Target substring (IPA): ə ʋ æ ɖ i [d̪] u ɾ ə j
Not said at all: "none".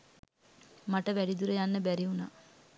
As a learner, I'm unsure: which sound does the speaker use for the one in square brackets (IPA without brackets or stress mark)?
d̪